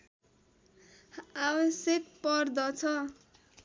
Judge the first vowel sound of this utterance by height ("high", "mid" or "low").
low